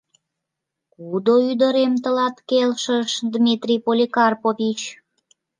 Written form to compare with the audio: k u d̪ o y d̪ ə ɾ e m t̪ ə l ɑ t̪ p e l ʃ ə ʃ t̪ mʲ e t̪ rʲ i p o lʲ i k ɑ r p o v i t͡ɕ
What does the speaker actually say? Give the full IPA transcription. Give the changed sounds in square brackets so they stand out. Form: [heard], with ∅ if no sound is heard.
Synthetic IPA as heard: k u d̪ o y d̪ ə ɾ e m t̪ ə l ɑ t̪ [k] e l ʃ ə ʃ [d̪] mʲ [i] t̪ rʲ i p o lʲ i k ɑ r p o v i t͡ɕ